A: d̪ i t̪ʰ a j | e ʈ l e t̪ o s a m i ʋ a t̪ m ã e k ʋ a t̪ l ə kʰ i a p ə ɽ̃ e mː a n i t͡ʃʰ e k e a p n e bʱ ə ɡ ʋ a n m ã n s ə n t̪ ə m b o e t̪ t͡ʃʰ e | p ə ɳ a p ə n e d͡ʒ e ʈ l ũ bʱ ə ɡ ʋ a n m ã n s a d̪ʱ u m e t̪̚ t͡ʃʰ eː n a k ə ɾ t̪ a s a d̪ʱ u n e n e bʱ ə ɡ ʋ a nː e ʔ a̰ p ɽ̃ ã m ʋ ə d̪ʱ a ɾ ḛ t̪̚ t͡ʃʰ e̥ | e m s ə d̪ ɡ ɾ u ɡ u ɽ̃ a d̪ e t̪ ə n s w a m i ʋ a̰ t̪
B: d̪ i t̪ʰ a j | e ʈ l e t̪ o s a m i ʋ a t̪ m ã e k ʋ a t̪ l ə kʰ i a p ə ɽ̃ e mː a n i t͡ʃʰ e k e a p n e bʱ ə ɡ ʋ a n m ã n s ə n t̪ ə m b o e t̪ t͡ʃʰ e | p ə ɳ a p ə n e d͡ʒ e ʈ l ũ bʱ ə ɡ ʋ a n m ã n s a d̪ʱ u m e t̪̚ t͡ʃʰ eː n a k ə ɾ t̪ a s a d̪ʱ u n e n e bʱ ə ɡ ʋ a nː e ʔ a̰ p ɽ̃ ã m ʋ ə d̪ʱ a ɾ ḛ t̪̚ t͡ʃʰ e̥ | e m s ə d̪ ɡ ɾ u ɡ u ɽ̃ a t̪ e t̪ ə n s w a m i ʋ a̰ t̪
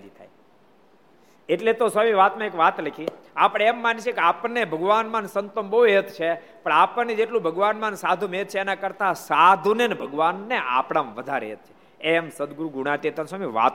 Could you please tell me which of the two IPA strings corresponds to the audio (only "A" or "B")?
B